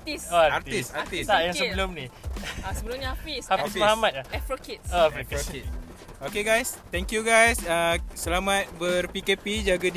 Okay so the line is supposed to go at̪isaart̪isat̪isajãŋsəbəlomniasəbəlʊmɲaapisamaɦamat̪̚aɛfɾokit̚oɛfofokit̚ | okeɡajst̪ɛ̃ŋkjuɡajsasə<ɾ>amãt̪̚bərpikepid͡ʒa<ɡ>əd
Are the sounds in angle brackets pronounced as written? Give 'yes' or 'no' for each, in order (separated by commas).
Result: no, yes